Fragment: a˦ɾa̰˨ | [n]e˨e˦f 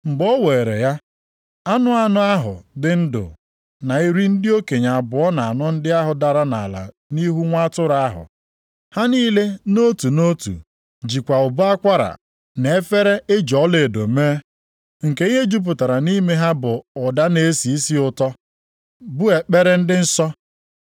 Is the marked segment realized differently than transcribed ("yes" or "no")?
no